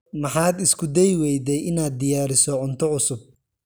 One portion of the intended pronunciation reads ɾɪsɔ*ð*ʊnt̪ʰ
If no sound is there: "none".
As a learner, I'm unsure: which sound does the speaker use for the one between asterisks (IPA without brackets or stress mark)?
ʕ